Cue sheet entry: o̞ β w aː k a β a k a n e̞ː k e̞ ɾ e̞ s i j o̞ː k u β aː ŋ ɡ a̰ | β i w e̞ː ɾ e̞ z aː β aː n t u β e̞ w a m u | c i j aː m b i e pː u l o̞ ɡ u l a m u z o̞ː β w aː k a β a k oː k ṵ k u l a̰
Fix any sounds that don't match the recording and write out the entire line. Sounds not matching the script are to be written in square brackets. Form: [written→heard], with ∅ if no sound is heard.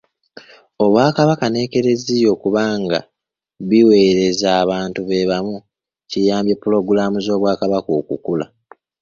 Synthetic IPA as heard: o̞ β w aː k a β a k a n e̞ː k e̞ ɾ e̞ [s→z] i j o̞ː k u β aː ŋ ɡ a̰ | β i w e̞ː ɾ e̞ z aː β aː n t u β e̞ [w→β] a m u | c i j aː m b [i→j] e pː u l o̞ ɡ u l a m u z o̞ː β w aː k a β a k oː k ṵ k u l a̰